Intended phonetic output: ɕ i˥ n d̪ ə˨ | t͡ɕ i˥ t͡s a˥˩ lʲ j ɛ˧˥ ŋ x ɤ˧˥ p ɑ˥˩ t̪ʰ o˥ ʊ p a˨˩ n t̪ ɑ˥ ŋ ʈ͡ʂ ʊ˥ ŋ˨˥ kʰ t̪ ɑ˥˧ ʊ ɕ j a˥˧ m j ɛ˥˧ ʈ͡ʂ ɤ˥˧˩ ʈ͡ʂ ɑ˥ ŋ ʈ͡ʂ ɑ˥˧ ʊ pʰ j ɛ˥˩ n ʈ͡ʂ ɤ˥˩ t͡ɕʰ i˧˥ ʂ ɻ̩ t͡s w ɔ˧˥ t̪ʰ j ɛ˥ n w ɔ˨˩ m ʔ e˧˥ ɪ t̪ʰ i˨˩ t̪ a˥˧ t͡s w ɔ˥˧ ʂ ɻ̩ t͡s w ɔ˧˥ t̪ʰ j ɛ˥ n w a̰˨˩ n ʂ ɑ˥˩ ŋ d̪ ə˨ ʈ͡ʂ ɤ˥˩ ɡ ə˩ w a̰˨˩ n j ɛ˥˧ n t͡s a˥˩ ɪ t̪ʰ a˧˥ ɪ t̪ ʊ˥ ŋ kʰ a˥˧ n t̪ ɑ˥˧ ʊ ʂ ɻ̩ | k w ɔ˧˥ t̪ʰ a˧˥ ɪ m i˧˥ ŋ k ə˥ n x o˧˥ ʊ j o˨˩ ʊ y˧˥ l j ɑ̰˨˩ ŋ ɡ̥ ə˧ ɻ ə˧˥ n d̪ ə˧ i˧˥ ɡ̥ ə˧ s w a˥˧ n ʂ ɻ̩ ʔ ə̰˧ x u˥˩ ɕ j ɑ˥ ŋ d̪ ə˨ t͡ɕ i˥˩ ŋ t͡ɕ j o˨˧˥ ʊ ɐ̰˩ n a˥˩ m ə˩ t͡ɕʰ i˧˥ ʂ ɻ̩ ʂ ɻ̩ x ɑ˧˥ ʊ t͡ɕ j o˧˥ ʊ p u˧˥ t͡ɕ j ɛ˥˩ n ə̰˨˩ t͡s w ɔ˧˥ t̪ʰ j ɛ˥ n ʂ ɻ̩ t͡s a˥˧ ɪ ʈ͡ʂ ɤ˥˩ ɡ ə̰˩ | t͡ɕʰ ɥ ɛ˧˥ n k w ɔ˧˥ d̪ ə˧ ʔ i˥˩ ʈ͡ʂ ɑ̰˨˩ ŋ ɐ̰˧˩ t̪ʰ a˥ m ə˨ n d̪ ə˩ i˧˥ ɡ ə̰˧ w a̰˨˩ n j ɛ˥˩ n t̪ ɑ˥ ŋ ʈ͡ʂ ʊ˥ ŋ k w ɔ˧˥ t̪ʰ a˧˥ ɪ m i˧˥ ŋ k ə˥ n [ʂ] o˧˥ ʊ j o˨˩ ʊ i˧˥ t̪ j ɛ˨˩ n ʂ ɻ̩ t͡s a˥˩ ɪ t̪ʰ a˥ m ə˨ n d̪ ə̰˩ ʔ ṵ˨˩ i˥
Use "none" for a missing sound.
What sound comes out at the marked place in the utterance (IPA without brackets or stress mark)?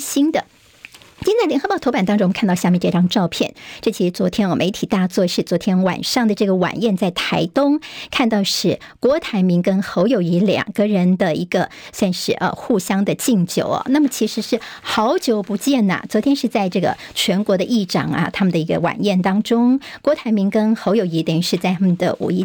x